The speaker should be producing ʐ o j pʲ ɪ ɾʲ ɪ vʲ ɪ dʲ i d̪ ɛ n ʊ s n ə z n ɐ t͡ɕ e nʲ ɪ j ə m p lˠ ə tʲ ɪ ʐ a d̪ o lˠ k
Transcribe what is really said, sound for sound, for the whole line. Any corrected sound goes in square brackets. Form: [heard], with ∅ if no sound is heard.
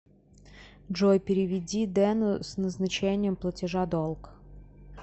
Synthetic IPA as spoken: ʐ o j pʲ ɪ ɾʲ ɪ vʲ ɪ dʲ i d̪ ɛ n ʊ s n ə z n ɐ t͡ɕ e nʲ ɪ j ə m p lˠ ə tʲ ɪ ʐ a d̪ o lˠ k